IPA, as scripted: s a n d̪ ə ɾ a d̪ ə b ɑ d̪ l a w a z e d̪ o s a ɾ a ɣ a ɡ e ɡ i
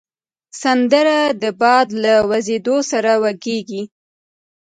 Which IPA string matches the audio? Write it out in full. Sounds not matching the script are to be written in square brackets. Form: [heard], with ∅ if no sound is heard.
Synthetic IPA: s a n d̪ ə ɾ a d̪ ə b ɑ d̪ l a w a z e d̪ o s a ɾ a [w] a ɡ e ɡ i